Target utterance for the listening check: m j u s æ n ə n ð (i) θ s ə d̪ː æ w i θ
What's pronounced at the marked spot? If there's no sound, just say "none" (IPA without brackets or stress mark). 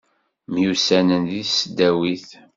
i